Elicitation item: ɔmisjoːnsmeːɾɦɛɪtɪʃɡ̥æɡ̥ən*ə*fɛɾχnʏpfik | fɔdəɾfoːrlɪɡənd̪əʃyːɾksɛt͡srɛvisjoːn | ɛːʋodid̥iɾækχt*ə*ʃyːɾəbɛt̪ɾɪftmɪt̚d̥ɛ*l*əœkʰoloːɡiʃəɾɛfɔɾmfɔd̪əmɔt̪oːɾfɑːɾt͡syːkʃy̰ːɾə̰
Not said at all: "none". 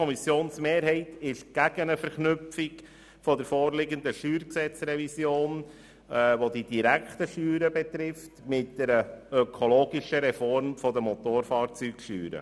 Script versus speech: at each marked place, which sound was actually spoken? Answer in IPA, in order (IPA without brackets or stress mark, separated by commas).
ə, ə, ɾ